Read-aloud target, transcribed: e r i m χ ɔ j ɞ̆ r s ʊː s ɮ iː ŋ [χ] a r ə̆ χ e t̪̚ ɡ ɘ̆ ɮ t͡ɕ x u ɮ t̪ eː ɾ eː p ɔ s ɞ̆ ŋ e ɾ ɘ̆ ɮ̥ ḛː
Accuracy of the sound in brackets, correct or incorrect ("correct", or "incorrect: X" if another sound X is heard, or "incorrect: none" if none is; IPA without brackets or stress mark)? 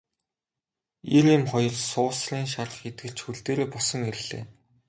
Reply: incorrect: ʃ